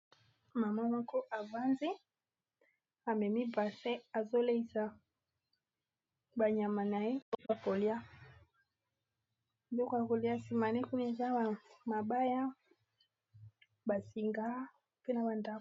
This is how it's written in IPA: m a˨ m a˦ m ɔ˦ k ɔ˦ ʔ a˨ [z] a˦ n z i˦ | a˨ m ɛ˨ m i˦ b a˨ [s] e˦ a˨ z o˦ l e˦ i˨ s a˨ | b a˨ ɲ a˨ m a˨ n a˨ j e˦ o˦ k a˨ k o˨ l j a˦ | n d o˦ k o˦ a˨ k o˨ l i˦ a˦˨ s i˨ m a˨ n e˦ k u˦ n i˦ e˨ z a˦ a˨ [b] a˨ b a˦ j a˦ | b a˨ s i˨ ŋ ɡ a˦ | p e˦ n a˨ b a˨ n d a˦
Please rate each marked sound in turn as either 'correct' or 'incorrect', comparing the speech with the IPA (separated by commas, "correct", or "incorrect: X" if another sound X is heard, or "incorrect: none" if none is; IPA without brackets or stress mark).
incorrect: v, correct, incorrect: m